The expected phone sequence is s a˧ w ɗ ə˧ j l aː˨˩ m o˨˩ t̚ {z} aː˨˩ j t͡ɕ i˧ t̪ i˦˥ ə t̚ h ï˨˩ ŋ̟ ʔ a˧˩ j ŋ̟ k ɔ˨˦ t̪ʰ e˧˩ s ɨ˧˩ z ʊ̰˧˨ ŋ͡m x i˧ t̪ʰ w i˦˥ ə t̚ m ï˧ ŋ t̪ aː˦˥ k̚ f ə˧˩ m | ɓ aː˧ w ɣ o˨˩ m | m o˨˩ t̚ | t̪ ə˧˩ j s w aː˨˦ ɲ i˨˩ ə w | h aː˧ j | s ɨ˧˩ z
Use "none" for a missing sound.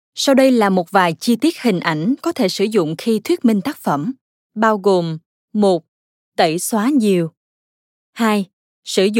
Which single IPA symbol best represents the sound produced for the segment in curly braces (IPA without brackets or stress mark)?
v